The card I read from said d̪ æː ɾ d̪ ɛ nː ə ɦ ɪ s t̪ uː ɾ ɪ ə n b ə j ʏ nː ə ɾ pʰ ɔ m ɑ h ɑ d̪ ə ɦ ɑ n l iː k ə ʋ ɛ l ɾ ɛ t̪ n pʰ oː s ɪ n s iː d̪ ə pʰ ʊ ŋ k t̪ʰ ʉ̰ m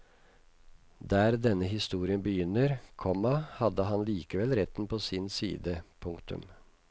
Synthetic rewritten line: d̪ æː ɾ d̪ ɛ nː ə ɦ ɪ s t̪ uː ɾ ɪ ə n b ə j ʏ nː ə ɾ kʰ ɔ m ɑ h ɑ d̪ ə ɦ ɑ n l iː k ə ʋ ɛ l ɾ ɛ t̪ n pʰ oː s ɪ n s iː d̪ ə pʰ ʊ ŋ k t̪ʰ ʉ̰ m